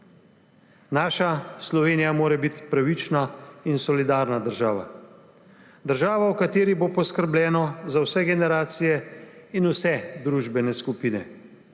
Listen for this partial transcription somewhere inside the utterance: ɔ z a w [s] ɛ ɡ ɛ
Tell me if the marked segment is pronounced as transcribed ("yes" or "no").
yes